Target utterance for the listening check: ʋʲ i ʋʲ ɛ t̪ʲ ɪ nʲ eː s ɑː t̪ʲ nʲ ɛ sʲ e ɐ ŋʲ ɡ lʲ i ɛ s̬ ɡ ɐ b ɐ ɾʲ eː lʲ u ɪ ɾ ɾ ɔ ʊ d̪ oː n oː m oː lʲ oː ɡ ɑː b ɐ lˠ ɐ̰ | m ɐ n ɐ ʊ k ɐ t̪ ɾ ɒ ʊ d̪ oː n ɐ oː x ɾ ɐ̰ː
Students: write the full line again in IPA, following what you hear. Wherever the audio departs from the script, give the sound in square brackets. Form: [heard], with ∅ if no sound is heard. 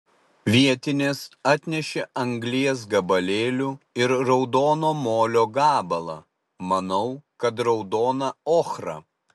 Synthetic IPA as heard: ʋʲ i [∅] ɛ t̪ʲ ɪ nʲ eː s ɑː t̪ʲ nʲ ɛ [ʃʲ] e ɐ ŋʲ ɡ lʲ i ɛ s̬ ɡ ɐ b ɐ [lʲ] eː lʲ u ɪ ɾ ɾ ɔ ʊ d̪ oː n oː m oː lʲ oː ɡ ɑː b ɐ lˠ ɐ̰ | m ɐ n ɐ ʊ k ɐ t̪ ɾ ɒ ʊ d̪ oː n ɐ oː x ɾ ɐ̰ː